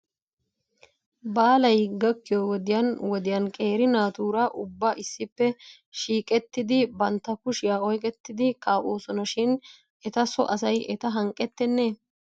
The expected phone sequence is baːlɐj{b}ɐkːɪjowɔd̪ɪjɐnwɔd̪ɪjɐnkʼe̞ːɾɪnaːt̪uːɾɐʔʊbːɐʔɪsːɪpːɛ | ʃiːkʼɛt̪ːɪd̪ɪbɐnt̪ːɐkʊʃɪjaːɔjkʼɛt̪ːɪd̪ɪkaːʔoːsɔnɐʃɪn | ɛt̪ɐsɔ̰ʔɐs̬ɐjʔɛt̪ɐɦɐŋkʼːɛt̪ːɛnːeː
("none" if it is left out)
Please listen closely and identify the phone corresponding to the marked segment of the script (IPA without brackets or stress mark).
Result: ɡ